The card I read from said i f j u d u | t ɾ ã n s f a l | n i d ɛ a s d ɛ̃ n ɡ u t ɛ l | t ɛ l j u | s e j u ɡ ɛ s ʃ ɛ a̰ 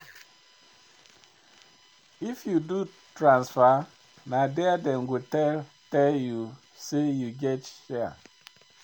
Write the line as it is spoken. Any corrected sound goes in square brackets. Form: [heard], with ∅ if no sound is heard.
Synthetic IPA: i f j u d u | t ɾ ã n s f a [∅] | n [a] d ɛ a [∅] d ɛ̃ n ɡ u t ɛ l | t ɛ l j u | s e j u ɡ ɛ [t] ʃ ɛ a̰